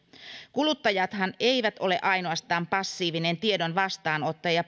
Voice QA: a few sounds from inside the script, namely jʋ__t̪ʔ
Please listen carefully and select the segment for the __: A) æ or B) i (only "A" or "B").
A